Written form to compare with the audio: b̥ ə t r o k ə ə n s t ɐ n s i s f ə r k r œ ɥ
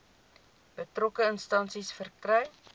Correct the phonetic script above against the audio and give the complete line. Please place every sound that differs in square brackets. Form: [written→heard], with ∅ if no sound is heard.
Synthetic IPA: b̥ ə t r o k ə ə n s t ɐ n s i s f ə r k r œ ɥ